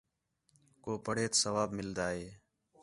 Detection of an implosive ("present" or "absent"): absent